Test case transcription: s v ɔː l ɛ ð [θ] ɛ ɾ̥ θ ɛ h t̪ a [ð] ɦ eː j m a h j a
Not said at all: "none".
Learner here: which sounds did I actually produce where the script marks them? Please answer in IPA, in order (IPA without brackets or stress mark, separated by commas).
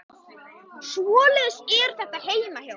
s, none